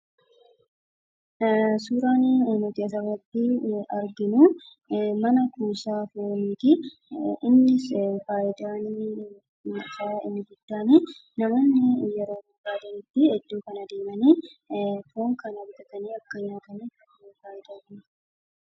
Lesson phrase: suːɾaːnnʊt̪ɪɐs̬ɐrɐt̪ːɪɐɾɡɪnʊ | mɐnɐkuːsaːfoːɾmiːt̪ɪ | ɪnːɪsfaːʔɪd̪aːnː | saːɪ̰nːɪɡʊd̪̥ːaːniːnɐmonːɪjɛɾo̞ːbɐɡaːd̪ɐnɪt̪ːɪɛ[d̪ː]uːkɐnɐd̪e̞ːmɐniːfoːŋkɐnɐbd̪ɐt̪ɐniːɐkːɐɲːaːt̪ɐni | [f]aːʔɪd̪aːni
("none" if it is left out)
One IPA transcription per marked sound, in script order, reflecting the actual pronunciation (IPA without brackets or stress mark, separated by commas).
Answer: d̪ː, f